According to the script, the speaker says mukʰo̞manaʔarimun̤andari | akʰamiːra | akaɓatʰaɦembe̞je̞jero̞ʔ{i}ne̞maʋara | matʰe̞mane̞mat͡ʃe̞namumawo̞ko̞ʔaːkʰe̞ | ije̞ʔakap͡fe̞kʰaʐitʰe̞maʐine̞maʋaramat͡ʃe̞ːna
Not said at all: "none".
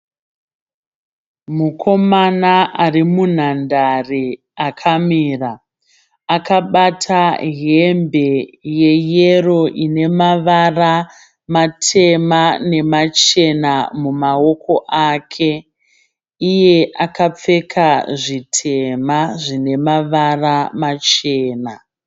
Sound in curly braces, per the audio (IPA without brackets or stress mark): i